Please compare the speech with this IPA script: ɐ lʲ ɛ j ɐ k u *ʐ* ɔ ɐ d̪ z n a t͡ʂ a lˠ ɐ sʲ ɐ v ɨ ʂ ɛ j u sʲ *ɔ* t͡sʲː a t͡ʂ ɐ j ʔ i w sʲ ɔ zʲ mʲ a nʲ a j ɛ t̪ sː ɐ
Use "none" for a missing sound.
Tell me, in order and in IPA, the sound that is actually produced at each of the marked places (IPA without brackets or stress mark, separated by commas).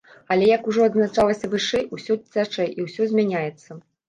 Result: ʐ, ɔ